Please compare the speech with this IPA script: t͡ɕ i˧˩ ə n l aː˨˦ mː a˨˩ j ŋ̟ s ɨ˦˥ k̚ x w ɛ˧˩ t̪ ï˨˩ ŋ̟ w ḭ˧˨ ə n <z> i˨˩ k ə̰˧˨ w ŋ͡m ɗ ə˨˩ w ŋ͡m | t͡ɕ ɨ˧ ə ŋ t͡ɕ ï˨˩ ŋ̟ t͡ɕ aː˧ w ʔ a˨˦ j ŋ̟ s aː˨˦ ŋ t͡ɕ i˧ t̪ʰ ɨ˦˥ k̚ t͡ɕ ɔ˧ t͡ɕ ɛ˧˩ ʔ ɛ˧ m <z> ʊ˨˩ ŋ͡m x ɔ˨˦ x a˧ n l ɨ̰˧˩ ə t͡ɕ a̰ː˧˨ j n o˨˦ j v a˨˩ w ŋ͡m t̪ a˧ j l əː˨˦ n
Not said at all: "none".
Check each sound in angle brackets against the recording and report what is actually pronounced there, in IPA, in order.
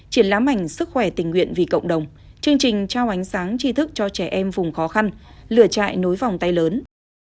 v, v

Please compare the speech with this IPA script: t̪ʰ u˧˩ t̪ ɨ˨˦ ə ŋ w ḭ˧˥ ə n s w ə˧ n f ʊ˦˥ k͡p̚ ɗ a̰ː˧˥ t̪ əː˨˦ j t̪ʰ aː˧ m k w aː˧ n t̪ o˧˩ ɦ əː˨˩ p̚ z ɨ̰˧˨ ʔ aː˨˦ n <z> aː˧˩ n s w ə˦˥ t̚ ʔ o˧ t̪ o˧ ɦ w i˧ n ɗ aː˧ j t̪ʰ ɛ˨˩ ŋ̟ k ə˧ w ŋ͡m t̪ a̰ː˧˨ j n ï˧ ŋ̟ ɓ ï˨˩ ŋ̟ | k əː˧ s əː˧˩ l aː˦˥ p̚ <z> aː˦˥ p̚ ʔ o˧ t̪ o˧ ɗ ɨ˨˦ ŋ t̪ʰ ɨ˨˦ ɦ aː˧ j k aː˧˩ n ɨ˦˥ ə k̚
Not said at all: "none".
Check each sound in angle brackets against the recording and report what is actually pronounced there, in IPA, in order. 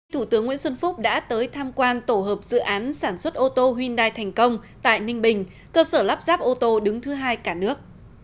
s, z

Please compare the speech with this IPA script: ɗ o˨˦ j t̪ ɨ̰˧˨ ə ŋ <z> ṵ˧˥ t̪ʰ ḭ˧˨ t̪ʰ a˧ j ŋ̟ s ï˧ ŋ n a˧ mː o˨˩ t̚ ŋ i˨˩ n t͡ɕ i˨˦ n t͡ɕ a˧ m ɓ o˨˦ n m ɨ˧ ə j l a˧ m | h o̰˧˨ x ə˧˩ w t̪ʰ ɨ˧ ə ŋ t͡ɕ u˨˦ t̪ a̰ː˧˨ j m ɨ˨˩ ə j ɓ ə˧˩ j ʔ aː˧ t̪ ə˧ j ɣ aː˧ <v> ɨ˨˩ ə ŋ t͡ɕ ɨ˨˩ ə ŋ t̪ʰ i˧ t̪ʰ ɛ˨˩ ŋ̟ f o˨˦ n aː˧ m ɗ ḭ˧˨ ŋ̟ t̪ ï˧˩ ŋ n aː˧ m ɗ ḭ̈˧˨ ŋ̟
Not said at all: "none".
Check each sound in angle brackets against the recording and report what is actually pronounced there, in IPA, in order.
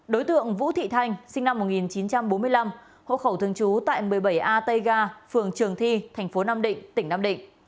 v, f

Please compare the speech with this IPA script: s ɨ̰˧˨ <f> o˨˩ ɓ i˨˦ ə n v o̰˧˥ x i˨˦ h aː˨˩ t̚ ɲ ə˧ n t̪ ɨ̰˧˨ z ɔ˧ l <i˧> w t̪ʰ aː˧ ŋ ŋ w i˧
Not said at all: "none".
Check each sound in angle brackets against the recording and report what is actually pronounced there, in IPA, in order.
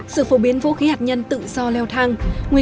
f, ɛ˧

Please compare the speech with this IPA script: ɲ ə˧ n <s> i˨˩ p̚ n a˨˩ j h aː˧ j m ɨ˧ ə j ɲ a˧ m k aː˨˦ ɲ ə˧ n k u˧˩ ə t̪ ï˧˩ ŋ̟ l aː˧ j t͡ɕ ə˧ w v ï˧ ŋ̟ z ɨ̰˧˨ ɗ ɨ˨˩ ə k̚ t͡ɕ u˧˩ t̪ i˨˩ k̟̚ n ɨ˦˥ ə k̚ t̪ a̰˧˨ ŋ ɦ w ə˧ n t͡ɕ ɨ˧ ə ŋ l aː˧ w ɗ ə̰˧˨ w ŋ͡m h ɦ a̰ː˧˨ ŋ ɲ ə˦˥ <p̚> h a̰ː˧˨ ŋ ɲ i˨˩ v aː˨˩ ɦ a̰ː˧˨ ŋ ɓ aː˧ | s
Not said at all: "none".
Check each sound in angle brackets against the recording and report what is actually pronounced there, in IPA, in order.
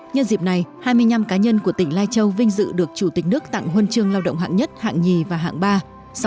z, t̚

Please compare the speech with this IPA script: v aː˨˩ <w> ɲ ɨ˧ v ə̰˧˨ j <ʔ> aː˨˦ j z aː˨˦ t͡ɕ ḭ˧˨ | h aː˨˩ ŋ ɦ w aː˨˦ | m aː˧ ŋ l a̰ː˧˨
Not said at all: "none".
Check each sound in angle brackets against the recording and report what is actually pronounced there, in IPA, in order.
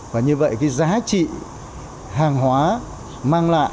none, k

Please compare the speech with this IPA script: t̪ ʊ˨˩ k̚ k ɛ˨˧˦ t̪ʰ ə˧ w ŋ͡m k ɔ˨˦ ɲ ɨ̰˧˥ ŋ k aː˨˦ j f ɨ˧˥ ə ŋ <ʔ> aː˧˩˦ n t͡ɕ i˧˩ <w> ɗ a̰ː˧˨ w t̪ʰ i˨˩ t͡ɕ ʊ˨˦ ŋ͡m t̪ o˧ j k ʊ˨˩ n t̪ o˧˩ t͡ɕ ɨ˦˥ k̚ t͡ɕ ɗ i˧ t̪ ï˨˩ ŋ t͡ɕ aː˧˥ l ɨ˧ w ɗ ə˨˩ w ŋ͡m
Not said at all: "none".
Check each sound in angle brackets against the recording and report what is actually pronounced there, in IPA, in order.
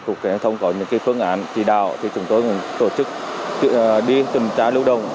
ʔ, none

